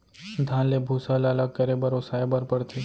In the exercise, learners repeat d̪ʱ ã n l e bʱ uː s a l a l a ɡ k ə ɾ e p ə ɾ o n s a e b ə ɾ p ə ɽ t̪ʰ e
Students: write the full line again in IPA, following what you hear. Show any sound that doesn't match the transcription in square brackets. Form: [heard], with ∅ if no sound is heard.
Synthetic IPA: d̪ʱ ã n l e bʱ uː s a l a l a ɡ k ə ɾ e [b] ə ɾ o [∅] s a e b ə ɾ p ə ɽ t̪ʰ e